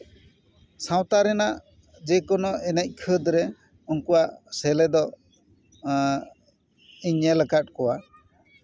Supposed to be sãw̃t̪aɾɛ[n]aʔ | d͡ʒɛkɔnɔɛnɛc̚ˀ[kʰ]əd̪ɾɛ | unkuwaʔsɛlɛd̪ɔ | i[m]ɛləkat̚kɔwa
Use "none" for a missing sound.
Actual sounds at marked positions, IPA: n, kʰ, ɲ

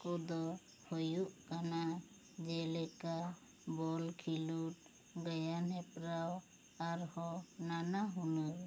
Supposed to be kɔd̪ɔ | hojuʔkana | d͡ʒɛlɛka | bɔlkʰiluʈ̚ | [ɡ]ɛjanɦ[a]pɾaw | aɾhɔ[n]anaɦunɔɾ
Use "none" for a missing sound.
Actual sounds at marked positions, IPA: ɡ, ɛ, n

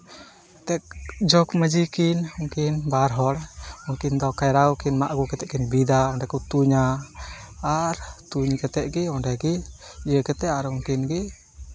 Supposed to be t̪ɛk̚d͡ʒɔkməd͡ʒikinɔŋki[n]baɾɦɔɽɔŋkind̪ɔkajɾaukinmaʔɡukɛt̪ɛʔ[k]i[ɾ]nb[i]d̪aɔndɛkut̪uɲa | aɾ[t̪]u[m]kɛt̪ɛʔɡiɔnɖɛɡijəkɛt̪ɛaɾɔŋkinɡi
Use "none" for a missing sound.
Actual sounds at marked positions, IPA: n, k, none, i, t̪, ɲ

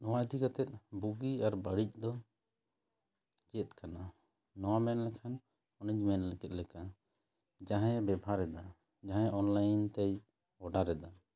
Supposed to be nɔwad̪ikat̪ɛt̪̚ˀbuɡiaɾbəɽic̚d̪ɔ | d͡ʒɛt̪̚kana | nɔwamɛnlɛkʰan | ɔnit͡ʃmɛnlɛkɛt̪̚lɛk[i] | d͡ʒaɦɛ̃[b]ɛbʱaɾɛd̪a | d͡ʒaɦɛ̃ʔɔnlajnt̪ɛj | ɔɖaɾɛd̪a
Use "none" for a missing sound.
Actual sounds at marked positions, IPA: a, b

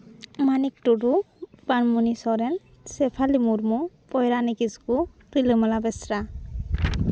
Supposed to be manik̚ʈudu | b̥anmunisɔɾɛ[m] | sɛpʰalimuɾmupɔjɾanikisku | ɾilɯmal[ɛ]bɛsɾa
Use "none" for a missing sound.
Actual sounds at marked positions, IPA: n, a

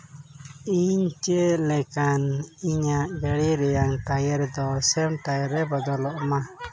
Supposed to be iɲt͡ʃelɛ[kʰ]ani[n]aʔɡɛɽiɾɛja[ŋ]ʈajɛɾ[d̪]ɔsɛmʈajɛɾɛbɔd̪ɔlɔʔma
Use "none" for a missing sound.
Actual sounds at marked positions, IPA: k, ɲ, ŋ, d̪

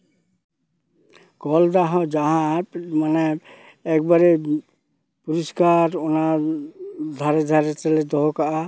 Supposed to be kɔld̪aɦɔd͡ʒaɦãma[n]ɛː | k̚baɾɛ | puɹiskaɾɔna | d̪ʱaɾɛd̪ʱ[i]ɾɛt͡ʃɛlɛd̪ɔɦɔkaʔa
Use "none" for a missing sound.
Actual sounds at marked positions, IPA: n, a

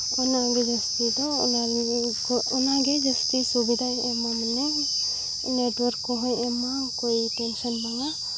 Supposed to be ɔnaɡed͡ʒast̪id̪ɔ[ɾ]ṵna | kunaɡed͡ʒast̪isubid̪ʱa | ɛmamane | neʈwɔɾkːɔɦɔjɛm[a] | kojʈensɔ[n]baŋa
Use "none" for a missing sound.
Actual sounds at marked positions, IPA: none, a, n

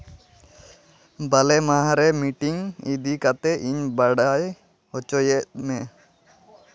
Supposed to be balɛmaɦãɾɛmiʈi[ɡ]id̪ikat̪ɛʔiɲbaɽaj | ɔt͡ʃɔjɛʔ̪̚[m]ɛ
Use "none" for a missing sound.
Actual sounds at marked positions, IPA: ŋ, m

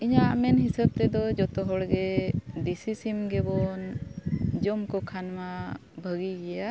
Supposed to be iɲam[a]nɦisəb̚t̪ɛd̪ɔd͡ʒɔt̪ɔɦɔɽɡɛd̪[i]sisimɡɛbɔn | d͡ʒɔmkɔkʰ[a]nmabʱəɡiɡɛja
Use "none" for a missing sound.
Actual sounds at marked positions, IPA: ɛ, i, a

